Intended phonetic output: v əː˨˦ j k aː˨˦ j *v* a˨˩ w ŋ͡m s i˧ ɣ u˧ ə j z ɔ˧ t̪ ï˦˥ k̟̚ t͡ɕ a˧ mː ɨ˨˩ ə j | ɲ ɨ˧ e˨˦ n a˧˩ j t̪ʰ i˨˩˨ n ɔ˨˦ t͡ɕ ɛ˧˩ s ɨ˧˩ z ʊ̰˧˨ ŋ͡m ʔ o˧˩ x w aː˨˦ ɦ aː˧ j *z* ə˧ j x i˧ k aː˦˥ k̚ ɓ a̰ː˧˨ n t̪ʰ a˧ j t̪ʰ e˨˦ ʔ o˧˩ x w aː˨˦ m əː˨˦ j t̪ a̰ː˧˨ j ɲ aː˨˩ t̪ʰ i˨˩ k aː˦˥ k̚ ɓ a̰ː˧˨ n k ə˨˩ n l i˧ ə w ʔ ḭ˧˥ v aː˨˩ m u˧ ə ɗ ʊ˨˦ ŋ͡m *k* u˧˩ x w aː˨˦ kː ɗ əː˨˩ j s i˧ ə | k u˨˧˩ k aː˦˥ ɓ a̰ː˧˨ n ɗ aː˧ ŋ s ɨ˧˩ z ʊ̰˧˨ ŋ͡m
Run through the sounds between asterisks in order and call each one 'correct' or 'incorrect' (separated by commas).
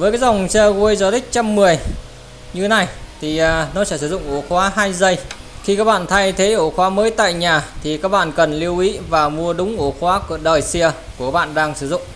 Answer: incorrect, correct, incorrect